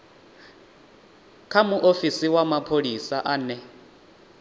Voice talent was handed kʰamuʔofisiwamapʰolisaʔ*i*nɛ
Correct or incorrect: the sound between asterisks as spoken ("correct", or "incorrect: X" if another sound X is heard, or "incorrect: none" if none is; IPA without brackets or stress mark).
incorrect: a